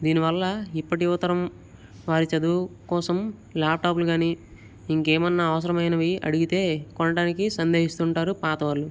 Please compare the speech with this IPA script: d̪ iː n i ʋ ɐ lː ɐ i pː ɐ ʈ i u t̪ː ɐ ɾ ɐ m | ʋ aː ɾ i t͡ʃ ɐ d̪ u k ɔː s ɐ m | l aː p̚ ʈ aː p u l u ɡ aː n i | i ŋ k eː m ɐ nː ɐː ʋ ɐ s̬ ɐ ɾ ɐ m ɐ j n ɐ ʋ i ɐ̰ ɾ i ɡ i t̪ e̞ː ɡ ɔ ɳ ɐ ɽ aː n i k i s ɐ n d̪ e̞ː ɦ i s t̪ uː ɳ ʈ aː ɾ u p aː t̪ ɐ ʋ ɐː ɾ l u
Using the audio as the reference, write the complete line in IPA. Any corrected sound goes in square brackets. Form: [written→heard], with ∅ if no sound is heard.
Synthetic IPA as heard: d̪ iː n i ʋ ɐ lː ɐ i pː ɐ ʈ i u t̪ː ɐ ɾ ɐ m | ʋ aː ɾ i t͡ʃ ɐ d̪ u k ɔː s ɐ m | l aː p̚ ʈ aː p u l u ɡ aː n i | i ŋ k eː m ɐ nː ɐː ʋ ɐ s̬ ɐ ɾ ɐ m ɐ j n ɐ ʋ i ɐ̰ [ɾ→ɽ] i ɡ i t̪ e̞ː [ɡ→k] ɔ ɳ ɐ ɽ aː n i k i s ɐ n d̪ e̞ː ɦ i s t̪ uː ɳ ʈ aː ɾ u p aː t̪ ɐ ʋ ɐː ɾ l u